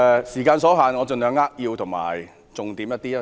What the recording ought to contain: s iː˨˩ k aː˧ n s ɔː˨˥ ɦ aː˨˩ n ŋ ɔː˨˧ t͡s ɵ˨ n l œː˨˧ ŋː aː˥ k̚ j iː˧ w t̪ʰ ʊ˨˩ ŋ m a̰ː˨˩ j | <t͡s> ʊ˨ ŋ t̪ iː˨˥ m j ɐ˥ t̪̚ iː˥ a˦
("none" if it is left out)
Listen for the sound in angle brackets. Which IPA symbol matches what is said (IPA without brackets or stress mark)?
t͡s